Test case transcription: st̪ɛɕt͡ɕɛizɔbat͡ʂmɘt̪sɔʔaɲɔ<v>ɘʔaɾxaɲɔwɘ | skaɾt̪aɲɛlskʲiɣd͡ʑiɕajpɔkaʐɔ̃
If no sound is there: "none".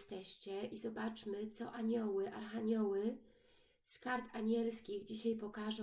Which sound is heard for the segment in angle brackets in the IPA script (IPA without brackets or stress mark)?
w